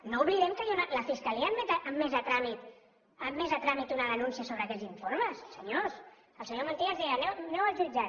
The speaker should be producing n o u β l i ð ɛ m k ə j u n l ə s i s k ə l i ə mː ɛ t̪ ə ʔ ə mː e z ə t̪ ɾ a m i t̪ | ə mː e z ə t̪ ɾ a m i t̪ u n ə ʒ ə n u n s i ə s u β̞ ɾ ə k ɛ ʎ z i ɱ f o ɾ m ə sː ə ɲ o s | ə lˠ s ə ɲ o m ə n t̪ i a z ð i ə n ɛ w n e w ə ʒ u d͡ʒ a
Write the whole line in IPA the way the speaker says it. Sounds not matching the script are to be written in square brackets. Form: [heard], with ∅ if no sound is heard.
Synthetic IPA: n o u β l i ð ɛ m k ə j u n l ə [f] i s k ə l i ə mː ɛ t̪ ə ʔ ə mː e z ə t̪ ɾ a m i t̪ | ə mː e z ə t̪ ɾ a m i t̪ u n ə [ð] ə n u n s i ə s [o] β̞ ɾ ə k ɛ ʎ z i ɱ f o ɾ m ə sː ə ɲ o s | ə lˠ s ə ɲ o m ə n t̪ i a z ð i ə n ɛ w n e w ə ʒ u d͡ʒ a